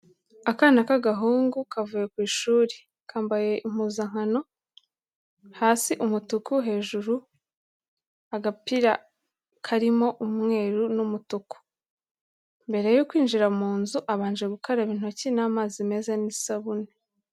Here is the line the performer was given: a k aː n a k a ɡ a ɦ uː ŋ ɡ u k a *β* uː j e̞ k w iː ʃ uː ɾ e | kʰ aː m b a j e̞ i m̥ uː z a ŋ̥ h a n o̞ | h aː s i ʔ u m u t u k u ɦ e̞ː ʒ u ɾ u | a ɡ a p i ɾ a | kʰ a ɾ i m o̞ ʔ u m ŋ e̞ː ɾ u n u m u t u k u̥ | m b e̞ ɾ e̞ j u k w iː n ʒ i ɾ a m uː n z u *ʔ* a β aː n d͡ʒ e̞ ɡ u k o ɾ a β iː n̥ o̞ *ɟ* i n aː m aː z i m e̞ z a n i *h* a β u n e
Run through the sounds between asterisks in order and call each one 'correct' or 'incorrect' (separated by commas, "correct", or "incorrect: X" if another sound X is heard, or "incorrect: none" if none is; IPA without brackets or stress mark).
incorrect: v, correct, incorrect: c, incorrect: s